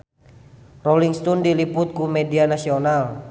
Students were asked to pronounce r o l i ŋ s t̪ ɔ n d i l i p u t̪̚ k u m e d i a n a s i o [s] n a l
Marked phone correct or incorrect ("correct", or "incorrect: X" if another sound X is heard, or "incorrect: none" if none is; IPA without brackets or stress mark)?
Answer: incorrect: none